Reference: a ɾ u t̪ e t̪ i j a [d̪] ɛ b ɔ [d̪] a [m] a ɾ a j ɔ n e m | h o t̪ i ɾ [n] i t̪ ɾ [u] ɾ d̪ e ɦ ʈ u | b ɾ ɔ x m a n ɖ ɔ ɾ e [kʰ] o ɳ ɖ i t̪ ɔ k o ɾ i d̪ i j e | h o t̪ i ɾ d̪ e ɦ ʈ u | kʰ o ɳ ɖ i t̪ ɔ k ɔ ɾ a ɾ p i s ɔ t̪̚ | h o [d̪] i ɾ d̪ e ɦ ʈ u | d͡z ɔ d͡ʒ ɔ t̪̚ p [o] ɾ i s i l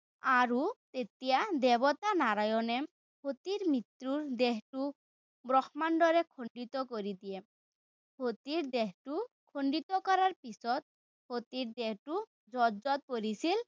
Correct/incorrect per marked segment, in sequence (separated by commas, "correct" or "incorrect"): correct, incorrect, incorrect, incorrect, correct, correct, incorrect, correct